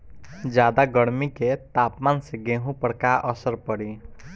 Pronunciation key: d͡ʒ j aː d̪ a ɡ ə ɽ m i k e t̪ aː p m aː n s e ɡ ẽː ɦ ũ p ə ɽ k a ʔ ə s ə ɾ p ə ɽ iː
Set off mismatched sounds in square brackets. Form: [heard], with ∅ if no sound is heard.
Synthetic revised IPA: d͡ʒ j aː d̪ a ɡ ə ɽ m i k e t̪ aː p m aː n s e ɡ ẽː ɦ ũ p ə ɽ k a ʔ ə s ə ɾ p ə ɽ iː